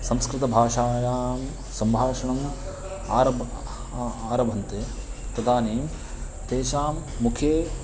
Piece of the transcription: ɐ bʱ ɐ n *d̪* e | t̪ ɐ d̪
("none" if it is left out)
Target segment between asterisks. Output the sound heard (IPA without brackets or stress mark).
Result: t̪